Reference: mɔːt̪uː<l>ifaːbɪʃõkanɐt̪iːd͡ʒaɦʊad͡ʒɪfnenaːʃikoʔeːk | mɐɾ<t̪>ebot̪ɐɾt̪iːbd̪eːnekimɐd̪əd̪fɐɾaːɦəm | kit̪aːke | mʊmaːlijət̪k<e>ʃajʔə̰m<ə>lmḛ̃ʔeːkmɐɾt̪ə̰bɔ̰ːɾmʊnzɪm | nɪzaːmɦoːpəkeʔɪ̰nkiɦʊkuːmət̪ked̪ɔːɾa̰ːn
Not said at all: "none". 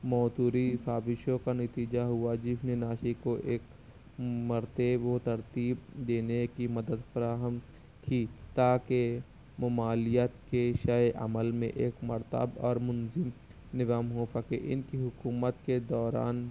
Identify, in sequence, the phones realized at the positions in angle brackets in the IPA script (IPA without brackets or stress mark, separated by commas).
ɾ, t̪, e, ə